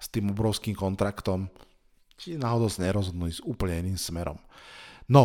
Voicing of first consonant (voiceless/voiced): voiceless